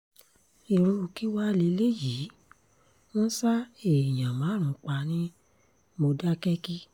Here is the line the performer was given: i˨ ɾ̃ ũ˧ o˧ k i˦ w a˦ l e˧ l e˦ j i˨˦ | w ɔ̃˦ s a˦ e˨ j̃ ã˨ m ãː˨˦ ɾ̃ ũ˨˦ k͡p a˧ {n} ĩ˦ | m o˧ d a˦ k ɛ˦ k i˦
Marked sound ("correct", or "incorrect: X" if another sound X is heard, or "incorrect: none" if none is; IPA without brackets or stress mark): correct